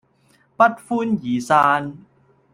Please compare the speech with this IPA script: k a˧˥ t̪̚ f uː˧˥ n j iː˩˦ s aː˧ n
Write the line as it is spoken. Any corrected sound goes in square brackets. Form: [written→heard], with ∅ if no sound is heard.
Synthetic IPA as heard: [k→p] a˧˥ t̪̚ f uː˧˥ n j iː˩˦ s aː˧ n